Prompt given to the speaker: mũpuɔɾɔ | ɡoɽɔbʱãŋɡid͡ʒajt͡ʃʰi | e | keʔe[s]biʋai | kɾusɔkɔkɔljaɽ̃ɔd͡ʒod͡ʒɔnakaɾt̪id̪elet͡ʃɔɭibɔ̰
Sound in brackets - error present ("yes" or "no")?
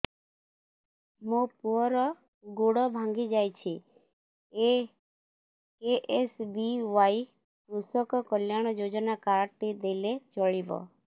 no